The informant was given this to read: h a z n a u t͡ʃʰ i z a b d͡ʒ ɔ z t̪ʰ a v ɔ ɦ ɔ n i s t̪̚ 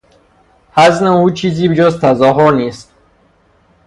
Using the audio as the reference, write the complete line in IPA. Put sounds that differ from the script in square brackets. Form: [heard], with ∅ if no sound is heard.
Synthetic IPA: h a z n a u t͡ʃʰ i z [i] b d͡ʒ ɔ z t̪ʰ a [z] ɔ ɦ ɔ n i s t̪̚